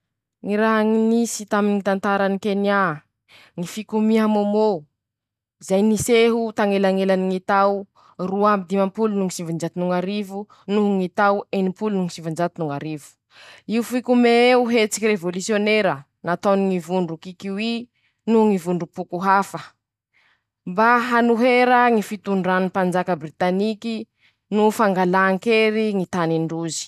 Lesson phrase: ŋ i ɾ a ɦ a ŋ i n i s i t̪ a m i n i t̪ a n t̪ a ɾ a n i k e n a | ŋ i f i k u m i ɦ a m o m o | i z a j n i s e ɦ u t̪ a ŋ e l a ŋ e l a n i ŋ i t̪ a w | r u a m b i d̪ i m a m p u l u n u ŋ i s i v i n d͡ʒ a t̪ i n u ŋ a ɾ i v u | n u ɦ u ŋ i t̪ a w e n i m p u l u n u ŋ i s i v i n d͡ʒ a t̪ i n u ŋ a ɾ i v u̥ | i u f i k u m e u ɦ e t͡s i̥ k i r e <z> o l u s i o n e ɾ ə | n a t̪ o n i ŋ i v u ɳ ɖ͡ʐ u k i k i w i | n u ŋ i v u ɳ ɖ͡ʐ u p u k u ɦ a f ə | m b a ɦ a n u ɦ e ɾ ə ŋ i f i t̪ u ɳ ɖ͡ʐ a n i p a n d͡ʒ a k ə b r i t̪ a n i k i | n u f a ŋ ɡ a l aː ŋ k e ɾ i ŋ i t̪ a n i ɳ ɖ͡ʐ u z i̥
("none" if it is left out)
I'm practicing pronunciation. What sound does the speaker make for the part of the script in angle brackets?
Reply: v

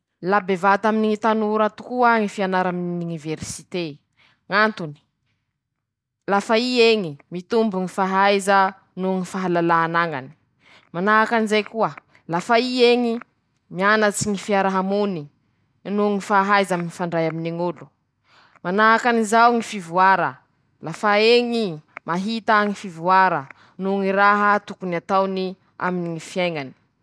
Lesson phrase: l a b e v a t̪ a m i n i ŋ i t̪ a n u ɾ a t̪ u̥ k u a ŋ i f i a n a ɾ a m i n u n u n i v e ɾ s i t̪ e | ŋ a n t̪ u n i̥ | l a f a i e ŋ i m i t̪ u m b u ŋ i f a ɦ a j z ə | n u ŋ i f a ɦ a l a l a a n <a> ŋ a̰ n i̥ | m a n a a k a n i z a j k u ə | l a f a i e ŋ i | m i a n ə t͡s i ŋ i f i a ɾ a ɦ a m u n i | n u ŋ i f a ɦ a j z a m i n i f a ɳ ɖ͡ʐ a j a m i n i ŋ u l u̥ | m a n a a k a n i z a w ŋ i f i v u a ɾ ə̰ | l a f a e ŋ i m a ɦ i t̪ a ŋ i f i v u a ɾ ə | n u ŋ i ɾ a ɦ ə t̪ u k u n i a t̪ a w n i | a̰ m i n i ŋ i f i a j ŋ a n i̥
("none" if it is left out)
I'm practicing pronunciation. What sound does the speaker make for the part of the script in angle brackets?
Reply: a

